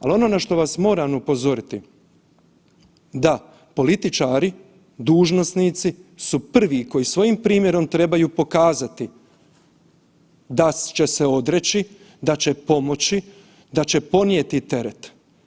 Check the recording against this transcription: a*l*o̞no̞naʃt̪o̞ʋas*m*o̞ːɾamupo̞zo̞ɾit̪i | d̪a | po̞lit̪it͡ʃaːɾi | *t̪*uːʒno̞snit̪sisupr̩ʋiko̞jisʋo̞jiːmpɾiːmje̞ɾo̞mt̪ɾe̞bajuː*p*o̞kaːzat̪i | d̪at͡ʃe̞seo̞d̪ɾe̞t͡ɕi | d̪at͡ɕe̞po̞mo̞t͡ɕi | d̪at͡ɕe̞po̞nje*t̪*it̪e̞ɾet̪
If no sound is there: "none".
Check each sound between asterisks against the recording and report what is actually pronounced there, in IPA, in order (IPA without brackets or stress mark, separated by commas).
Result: l, m, d̪, p, t̪